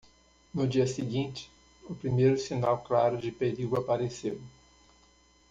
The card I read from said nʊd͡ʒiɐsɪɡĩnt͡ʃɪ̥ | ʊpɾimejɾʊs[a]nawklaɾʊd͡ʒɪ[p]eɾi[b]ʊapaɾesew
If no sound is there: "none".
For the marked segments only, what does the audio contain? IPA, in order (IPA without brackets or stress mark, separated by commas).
i, p, ɡ